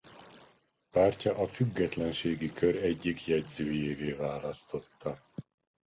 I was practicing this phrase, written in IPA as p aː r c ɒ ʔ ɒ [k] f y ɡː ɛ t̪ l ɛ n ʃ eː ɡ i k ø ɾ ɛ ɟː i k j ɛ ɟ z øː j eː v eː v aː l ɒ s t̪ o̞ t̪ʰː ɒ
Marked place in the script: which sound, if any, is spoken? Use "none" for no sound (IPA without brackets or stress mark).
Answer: none